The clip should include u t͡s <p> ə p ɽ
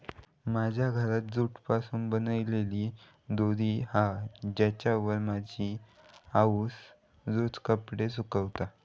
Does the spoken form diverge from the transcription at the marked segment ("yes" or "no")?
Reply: yes